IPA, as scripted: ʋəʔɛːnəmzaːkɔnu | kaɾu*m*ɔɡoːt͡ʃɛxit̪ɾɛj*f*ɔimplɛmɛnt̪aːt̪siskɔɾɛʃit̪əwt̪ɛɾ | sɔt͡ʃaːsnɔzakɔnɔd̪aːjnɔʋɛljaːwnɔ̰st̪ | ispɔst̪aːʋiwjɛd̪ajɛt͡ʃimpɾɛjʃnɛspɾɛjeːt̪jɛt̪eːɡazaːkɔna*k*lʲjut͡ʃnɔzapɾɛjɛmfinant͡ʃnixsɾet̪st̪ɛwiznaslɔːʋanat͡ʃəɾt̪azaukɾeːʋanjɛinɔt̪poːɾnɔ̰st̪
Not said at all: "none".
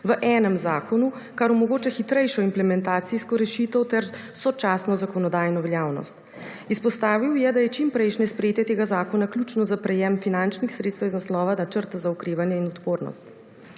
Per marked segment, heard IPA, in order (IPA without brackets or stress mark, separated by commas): m, ʃ, k